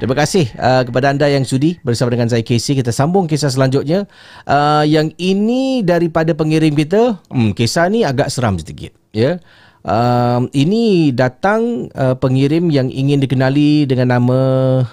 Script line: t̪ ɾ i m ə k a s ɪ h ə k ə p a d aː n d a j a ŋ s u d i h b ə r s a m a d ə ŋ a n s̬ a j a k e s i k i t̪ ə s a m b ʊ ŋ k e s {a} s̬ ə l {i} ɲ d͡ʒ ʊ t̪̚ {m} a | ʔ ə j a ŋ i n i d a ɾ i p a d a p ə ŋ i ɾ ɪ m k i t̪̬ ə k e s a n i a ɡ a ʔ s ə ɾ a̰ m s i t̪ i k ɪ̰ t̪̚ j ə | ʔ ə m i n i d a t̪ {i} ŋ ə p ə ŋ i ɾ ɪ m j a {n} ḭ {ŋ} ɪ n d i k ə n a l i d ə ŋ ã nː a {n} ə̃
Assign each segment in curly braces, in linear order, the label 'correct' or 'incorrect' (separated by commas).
correct, incorrect, incorrect, incorrect, incorrect, correct, incorrect